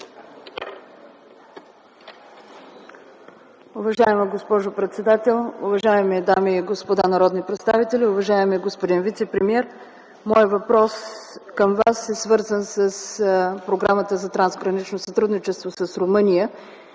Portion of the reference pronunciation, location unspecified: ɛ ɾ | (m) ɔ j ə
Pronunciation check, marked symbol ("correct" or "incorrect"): correct